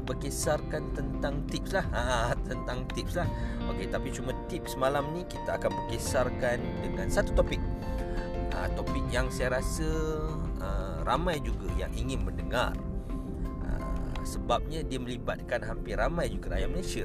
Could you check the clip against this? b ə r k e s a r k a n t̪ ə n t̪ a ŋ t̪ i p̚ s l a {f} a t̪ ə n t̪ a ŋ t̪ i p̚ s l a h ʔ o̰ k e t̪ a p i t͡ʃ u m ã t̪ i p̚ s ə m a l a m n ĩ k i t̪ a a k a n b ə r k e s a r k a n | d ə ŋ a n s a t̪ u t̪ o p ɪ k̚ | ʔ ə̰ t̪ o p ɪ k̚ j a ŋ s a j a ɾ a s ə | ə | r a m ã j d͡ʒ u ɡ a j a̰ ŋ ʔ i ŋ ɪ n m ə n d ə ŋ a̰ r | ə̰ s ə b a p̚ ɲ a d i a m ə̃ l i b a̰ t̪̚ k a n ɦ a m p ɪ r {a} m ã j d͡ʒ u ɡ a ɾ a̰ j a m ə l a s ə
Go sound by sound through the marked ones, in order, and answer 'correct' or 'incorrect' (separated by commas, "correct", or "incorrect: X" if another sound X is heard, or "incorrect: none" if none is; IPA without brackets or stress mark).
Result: incorrect: h, correct